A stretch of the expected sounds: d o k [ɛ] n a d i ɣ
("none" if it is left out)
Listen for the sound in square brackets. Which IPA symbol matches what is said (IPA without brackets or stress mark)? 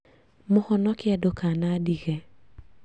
a